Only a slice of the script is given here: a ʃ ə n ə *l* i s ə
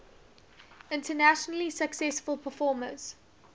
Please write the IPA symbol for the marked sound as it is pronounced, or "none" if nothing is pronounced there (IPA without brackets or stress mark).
l